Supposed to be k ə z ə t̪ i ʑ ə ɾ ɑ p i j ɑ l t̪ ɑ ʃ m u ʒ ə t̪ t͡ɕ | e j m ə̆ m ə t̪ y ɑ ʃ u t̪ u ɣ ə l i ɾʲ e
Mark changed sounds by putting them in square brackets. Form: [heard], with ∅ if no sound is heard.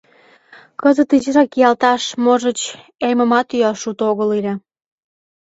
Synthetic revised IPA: k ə z ə t̪ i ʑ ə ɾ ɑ [k] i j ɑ l t̪ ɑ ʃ m [o] ʒ ə [∅] t͡ɕ | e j m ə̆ m [ɑ] t̪ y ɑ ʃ u t̪ [o] ɣ ə l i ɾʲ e

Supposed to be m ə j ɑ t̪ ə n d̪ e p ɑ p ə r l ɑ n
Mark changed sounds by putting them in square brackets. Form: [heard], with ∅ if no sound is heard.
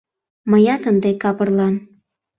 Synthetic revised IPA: m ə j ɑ t̪ ə n d̪ e [k] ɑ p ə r l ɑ n

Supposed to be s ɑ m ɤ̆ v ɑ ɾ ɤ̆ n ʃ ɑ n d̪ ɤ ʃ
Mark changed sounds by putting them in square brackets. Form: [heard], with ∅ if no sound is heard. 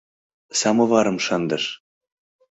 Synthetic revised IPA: s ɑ m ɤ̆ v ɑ ɾ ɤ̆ [m] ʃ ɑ n d̪ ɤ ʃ

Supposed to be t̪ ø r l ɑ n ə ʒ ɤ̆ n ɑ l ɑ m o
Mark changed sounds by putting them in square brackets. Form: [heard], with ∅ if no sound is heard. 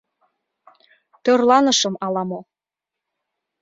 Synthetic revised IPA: t̪ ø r l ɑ n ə [ʃ] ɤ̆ [m] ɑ l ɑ m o

